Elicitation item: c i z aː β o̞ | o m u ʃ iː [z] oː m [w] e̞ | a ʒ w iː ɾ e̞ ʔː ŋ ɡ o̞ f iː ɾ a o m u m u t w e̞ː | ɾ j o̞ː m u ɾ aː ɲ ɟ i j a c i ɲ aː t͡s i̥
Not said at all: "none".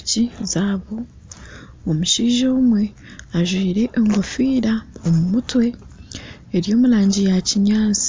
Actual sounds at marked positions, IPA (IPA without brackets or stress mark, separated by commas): ʒ, w